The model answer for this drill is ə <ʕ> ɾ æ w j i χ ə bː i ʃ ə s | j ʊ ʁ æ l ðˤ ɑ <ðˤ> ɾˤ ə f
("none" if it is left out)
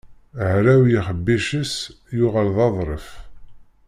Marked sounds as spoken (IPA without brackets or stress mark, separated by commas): ʕ, ðˤ